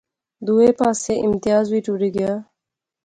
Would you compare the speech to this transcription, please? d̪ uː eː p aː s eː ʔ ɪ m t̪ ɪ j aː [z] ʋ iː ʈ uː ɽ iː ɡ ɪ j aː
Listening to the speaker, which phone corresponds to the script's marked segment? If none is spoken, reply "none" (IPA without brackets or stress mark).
z